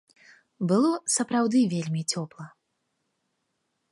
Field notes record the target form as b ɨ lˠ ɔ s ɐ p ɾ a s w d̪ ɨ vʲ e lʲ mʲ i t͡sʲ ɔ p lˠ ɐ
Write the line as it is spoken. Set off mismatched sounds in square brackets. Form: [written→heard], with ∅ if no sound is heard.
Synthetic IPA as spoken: b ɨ lˠ ɔ s ɐ p ɾ a [s→∅] w d̪ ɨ vʲ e lʲ mʲ i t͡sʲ ɔ p lˠ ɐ